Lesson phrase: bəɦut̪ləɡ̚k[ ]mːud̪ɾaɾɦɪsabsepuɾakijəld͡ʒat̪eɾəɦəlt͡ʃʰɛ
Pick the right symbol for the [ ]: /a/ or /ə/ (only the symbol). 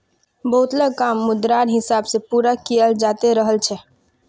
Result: a